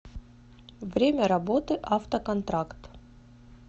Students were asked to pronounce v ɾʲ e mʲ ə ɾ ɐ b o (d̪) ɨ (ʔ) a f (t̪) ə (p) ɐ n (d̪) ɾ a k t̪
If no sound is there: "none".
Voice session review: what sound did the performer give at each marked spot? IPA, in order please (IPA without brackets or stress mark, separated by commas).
t̪, ʔ, t̪, k, t̪